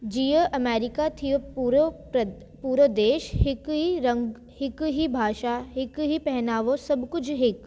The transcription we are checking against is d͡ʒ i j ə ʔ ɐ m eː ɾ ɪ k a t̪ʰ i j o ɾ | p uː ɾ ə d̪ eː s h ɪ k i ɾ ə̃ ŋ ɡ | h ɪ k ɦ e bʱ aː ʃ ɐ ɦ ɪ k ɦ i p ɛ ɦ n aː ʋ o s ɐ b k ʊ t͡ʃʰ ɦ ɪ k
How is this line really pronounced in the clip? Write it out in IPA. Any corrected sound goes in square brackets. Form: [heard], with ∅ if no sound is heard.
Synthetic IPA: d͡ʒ i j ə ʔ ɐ m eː ɾ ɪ k a t̪ʰ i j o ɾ | p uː ɾ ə d̪ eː [ʃ] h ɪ k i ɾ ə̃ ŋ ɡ | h ɪ k ɦ [i] bʱ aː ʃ [a] ɦ ɪ k ɦ i p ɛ ɦ n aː ʋ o s ɐ b k ʊ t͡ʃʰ ɦ ɪ k